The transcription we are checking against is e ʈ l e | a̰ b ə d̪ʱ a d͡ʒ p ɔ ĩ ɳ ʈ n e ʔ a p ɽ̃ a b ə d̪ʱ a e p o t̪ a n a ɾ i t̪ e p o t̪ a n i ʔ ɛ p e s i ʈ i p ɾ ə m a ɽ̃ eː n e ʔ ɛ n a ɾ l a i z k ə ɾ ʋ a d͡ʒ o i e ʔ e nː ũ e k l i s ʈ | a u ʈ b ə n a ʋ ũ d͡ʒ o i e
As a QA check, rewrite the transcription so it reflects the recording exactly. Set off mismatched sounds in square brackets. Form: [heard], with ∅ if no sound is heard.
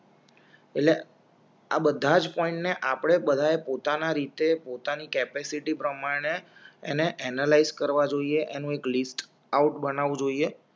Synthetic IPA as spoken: e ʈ l e | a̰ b ə d̪ʱ a d͡ʒ p ɔ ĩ ɳ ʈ n e ʔ a p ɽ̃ [e] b ə d̪ʱ a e p o t̪ a n a ɾ i t̪ e p o t̪ a n i [k] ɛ p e s i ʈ i p ɾ ə m a ɽ̃ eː n e ʔ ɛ n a [∅] l a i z k ə ɾ ʋ a d͡ʒ o i e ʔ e [n] ũ e k l i s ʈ | a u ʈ b ə n a ʋ ũ d͡ʒ o i e